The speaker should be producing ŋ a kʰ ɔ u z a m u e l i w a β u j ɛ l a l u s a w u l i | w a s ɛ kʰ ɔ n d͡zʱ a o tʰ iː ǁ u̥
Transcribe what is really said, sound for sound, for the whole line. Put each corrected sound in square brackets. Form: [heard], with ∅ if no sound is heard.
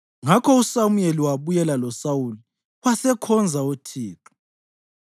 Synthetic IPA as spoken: ŋ a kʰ ɔ u [s] a m u e l i w a β u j ɛ l a l [ɔ] s a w u l i | w a s ɛ kʰ ɔ n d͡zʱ a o tʰ iː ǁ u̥